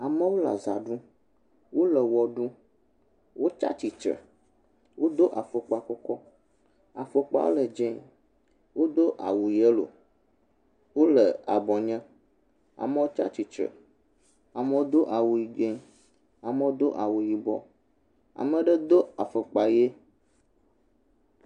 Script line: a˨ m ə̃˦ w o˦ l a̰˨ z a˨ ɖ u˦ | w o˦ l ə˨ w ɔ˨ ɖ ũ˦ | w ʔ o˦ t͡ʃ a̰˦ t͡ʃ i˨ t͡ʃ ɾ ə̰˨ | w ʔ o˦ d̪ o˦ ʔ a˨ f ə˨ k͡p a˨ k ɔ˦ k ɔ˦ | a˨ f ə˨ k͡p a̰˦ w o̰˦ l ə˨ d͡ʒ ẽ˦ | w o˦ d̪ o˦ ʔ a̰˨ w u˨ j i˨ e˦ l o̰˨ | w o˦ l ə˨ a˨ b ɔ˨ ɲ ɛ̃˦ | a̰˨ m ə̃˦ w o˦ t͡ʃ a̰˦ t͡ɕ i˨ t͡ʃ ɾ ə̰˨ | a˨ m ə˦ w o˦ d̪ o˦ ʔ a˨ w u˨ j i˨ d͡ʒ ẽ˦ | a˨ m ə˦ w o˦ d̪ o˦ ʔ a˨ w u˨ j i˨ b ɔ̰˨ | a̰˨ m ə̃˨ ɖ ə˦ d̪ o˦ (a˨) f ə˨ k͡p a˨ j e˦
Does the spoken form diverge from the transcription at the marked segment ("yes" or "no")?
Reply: no